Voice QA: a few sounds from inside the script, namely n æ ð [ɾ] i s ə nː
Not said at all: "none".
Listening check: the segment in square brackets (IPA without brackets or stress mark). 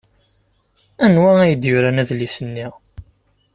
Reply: l